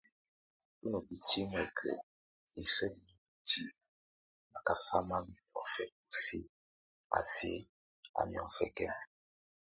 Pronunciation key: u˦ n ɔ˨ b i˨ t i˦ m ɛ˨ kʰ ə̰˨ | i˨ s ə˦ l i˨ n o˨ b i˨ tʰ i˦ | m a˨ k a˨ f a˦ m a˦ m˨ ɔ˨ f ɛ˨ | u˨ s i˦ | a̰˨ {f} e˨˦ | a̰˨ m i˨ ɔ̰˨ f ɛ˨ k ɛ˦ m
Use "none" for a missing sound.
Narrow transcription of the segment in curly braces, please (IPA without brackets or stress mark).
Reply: s